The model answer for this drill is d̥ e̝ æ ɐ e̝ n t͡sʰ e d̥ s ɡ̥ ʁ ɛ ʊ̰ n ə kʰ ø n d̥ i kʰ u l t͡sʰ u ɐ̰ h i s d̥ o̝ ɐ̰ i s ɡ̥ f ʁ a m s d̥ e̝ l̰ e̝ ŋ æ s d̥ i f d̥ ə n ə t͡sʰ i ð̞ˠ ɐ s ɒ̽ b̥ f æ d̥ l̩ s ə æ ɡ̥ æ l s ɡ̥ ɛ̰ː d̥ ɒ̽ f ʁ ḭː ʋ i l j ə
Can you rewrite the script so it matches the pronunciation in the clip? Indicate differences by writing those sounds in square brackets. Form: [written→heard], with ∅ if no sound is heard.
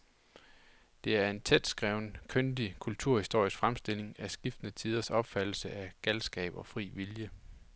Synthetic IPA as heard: d̥ e̝ æ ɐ e̝ n t͡sʰ e d̥ s ɡ̥ ʁ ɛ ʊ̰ n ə kʰ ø n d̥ i kʰ u l t͡sʰ u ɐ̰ h i s d̥ o̝ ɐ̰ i s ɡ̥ f ʁ a m s d̥ e̝ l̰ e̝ ŋ æ s [d̥→ɡ̥] i f d̥ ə n ə t͡sʰ i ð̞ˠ ɐ s ɒ̽ b̥ f æ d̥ l̩ s ə æ ɡ̥ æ l s ɡ̥ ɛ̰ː [d̥→b̥] ɒ̽ f ʁ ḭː ʋ i l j ə

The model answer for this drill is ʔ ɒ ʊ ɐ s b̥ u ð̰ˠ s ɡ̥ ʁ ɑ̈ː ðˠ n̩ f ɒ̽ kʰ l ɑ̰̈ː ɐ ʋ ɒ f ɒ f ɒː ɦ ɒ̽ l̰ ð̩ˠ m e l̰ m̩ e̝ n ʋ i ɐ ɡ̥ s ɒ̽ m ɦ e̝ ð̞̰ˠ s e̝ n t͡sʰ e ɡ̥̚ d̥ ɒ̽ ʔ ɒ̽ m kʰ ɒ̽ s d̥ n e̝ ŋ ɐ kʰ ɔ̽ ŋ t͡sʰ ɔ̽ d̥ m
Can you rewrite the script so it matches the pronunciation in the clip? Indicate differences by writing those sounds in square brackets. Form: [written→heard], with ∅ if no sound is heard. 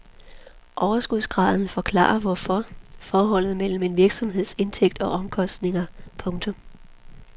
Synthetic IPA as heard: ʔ ɒ ʊ ɐ s [b̥→ɡ̥] u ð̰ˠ s ɡ̥ ʁ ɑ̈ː ðˠ n̩ f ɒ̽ kʰ l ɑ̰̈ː ɐ ʋ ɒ f ɒ f ɒː ɦ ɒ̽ l̰ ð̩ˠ m e l̰ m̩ e̝ n ʋ i ɐ ɡ̥ s ɒ̽ m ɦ e̝ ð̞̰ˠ s e̝ n t͡sʰ e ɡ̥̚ d̥ ɒ̽ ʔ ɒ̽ m kʰ ɒ̽ s d̥ n e̝ ŋ ɐ [kʰ→pʰ] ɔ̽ ŋ t͡sʰ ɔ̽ [d̥→∅] m

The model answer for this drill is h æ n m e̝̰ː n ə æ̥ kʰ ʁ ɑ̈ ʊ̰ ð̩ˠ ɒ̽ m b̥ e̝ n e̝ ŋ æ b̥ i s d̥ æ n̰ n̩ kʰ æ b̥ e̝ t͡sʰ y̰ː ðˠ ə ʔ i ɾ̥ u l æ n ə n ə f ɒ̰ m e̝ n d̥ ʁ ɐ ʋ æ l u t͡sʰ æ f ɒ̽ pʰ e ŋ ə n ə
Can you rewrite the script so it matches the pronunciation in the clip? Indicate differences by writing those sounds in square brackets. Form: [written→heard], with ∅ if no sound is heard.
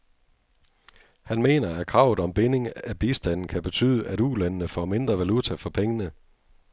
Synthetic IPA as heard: h æ n m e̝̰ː n [ə→ɐ] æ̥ kʰ ʁ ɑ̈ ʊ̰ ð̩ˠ ɒ̽ m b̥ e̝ n e̝ ŋ æ b̥ i s d̥ æ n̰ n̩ kʰ æ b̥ e̝ t͡sʰ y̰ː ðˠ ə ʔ [i→æ] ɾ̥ u l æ n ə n ə f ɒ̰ m e̝ n d̥ ʁ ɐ ʋ æ l u t͡sʰ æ f ɒ̽ pʰ e ŋ ə n ə

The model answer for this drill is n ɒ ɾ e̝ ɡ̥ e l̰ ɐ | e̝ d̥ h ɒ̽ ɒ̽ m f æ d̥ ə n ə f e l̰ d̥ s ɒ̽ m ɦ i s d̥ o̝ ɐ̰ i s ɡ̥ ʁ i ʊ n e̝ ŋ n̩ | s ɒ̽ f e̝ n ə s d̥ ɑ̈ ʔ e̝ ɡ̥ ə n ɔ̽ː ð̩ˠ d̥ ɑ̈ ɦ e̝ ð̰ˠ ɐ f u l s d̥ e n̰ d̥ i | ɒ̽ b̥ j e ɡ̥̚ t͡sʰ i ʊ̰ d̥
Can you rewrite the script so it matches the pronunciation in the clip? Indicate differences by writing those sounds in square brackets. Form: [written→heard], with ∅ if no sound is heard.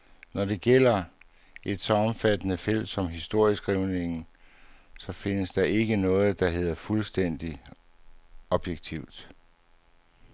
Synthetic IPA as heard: n ɒ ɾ e̝ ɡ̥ e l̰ ɐ | e̝ d̥ [h→s] ɒ̽ ɒ̽ m f æ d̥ ə n ə f e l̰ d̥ s ɒ̽ m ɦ i s d̥ o̝ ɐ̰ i s ɡ̥ ʁ i ʊ n e̝ ŋ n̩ | s ɒ̽ f e̝ n ə s d̥ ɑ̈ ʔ e̝ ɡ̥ ə n ɔ̽ː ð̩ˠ d̥ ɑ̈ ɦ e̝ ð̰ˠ ɐ f u l s d̥ e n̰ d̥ i | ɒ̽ b̥ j e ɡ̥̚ t͡sʰ i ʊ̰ d̥

